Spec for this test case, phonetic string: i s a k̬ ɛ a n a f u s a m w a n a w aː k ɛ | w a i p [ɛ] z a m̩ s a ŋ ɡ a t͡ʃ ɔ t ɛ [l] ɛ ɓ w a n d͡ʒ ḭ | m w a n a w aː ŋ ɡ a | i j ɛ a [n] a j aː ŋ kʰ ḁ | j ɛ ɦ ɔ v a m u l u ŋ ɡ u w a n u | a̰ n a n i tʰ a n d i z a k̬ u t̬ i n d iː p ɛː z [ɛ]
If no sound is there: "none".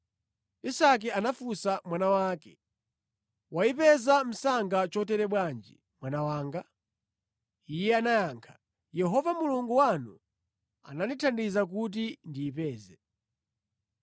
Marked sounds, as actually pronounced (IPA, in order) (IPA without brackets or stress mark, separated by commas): ɛ, ɾ, n, ɛ